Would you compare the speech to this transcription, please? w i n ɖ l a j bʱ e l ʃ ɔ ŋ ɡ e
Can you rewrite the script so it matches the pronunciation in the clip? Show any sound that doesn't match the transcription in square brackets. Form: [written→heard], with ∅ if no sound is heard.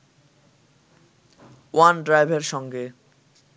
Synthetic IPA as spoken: w [i→a] n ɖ [l→ɾ] a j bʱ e [l→ɾ] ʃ ɔ ŋ ɡ e